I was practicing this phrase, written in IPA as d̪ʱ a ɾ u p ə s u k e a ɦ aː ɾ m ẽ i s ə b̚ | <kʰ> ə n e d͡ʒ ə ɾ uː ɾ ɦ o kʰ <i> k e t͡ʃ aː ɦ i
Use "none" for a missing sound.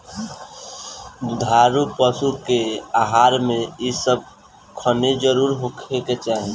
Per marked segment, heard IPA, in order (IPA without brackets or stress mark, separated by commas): kʰ, e